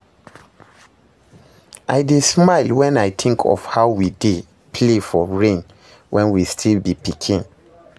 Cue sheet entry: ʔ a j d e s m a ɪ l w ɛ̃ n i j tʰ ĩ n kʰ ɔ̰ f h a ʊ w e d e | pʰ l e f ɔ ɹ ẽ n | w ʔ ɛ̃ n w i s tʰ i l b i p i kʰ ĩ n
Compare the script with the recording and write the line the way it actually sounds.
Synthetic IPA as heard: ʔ a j d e s m a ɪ l w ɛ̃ n a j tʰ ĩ ŋ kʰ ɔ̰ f h a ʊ w i d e | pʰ l e f ɔ ɹ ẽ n | w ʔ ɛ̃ n w i s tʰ i l b i p i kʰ ĩ n